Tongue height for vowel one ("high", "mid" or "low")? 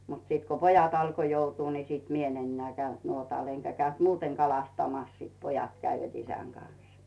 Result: high